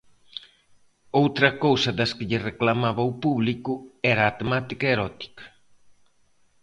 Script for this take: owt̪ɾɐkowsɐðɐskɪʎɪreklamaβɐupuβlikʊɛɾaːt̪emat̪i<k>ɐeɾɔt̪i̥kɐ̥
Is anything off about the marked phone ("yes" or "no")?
no